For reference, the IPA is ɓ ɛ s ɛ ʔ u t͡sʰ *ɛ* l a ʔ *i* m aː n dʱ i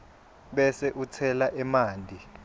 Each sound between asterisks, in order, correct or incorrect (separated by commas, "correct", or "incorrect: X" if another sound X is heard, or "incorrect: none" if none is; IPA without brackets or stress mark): correct, incorrect: ɛ